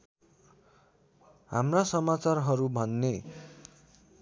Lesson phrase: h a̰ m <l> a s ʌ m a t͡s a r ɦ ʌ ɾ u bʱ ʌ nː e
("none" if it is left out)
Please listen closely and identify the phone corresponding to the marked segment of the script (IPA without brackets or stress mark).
r